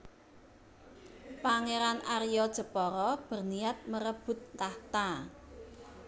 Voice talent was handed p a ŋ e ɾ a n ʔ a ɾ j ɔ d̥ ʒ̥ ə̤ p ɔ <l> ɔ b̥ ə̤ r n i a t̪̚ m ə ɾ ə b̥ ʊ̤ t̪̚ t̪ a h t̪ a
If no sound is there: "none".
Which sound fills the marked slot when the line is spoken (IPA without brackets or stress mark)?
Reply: ɾ